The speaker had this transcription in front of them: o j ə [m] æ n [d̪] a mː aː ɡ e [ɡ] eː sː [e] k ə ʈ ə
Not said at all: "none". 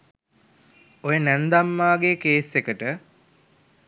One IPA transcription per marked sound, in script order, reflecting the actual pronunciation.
n, d̪, k, e

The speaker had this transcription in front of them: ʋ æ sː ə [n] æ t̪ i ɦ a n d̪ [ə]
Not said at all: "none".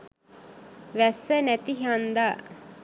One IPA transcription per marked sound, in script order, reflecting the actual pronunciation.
n, a

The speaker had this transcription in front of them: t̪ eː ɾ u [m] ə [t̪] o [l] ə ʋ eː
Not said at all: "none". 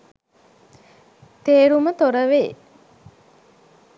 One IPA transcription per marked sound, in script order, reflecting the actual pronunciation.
m, t̪, ɾ

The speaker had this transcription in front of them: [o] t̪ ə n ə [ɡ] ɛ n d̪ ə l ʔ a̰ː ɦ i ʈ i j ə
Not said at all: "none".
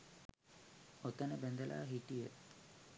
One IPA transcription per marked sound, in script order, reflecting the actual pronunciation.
o, b

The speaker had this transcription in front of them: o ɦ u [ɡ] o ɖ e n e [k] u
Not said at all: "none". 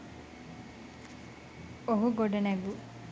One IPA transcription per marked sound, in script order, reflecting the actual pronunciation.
ɡ, ɡ

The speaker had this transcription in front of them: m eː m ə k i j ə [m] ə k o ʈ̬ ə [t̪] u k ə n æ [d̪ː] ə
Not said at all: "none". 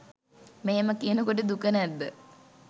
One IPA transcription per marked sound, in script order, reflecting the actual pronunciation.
n, d̪, d̪ː

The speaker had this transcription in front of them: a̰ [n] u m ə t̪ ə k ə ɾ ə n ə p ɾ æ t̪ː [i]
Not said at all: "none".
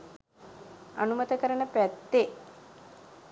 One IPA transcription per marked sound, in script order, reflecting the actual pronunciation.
n, e

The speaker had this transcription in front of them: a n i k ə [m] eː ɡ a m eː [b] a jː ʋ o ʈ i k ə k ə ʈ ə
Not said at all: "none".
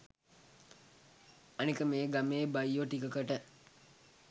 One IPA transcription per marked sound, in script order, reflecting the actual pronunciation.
m, b

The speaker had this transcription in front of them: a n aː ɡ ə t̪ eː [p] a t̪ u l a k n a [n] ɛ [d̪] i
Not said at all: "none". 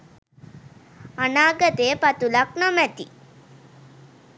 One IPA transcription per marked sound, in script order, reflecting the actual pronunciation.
p, m, t̪

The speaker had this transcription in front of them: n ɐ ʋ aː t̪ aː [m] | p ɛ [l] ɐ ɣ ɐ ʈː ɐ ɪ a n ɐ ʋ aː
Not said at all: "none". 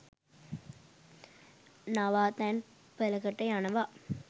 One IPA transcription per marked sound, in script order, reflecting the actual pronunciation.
n, l

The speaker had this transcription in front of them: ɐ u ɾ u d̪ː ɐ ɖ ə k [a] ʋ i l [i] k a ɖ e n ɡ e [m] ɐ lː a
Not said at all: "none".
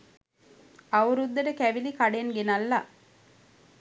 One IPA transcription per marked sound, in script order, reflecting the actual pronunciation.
æ, i, n

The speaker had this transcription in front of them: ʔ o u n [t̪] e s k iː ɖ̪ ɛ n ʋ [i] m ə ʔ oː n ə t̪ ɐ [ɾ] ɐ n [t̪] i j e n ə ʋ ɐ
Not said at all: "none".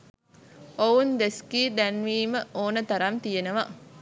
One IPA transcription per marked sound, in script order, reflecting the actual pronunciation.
d̪, iː, ɾ, t̪

